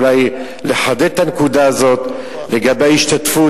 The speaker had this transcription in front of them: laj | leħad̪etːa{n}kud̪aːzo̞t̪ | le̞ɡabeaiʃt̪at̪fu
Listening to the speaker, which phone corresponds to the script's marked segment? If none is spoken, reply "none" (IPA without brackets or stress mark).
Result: n